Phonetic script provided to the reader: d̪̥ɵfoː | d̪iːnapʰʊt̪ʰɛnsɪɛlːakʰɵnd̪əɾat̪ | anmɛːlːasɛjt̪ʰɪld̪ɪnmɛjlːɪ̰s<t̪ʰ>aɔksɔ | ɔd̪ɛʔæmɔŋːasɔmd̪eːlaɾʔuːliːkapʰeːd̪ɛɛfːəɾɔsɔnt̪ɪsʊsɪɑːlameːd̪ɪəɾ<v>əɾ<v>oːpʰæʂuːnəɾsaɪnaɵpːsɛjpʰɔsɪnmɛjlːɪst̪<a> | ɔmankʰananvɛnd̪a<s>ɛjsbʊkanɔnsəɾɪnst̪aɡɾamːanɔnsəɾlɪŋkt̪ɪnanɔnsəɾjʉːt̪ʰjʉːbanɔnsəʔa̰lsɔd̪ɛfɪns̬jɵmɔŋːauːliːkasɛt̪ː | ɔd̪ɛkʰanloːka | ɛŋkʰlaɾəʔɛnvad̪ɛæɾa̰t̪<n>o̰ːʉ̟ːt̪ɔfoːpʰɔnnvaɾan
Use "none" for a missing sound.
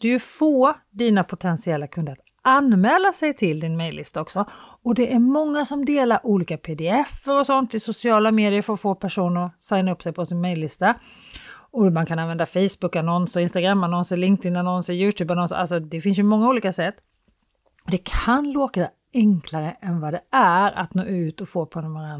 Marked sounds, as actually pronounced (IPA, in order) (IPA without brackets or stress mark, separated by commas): t̪, f, f, a, f, n